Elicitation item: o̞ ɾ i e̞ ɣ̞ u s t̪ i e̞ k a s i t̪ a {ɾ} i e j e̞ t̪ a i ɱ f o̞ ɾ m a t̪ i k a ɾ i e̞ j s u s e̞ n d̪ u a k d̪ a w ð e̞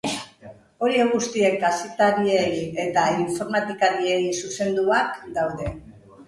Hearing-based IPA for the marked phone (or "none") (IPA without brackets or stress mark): ɾ